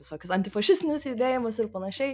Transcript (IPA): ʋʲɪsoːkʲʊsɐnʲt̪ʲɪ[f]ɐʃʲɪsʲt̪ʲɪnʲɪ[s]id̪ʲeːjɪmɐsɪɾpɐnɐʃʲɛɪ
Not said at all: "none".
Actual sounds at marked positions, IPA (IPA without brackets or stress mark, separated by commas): f, s